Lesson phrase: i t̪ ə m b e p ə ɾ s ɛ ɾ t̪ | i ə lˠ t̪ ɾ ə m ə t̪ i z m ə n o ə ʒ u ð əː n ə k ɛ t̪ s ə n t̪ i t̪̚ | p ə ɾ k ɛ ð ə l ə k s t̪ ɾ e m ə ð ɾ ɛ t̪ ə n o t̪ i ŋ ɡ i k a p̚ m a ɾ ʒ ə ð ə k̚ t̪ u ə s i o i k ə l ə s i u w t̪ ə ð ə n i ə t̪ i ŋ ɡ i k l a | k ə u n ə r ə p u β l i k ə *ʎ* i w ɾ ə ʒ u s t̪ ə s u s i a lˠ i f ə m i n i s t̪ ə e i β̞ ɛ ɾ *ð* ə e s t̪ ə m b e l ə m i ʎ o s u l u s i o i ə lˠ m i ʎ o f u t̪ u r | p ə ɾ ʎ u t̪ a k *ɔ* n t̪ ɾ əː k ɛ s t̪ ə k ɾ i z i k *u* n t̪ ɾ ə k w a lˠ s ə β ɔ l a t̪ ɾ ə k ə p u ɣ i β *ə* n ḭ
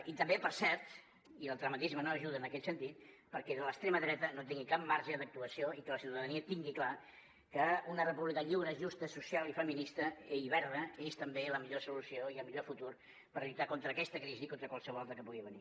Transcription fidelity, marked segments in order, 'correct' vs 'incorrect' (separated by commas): correct, correct, incorrect, incorrect, correct